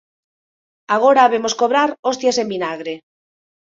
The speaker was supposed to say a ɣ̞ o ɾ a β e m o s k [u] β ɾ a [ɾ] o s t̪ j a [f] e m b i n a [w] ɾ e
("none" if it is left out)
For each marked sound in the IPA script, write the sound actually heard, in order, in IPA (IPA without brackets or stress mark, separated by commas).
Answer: o, ɾ, s, ɣ